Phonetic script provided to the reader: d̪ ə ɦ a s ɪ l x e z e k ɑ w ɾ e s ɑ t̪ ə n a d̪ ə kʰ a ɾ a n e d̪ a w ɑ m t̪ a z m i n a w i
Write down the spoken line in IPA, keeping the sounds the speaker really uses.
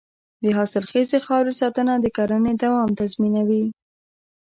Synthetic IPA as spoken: d̪ ə ɦ ɑ s ɪ l x e z e x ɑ w ɾ e s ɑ t̪ ə n a d̪ ə k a ɾ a n e d̪ a w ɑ m t̪ a z m i n a w i